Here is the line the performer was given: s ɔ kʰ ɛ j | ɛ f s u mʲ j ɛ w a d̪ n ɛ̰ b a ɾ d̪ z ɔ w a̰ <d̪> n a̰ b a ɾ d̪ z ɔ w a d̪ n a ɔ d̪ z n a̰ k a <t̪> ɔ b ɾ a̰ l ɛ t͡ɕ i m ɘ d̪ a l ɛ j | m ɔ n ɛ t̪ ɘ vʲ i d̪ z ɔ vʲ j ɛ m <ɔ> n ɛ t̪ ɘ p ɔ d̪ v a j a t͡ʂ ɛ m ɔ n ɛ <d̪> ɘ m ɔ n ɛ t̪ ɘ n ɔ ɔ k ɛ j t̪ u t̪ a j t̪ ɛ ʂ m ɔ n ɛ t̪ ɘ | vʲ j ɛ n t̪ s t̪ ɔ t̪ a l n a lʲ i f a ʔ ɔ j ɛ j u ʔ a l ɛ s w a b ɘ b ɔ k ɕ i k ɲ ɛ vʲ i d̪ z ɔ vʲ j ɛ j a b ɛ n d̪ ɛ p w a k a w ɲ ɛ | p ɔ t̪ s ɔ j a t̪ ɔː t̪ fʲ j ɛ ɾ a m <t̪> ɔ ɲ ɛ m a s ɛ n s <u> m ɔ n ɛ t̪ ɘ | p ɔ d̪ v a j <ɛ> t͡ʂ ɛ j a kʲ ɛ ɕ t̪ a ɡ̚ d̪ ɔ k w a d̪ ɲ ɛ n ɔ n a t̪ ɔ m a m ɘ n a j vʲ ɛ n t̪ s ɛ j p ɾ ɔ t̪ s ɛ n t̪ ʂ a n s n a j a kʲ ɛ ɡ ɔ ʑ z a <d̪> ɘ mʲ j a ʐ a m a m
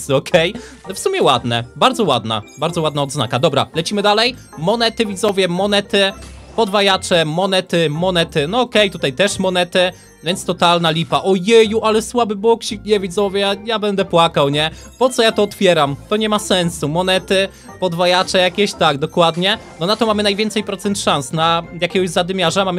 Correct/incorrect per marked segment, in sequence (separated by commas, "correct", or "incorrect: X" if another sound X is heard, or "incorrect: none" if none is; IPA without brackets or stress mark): correct, incorrect: d̪, correct, incorrect: t̪, correct, correct, incorrect: a, correct